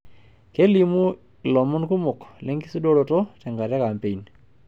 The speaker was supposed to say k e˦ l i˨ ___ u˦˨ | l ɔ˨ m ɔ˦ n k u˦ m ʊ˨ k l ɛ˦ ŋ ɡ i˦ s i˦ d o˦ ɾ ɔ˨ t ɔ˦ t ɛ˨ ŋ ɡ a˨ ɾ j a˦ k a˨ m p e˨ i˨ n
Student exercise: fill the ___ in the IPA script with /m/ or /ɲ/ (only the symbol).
m